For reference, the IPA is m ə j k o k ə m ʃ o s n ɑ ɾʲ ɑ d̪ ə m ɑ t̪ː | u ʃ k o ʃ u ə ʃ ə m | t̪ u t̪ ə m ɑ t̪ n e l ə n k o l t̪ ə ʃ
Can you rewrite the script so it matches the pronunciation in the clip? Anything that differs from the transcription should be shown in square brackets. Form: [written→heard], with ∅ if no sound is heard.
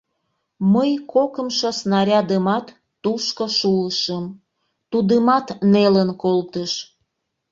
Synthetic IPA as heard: m ə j k o k ə m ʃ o s n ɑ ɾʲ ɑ d̪ ə m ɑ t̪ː | u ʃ k o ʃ u ə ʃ ə m | t̪ u [t̪→d̪] ə m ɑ t̪ n e l ə n k o l t̪ ə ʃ